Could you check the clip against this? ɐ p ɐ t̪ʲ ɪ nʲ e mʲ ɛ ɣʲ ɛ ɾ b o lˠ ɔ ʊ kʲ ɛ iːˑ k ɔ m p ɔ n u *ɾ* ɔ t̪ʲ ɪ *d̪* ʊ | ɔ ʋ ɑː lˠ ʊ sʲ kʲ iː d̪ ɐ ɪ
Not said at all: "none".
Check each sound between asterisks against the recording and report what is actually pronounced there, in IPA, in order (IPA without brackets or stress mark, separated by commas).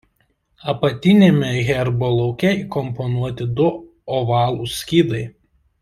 none, d̪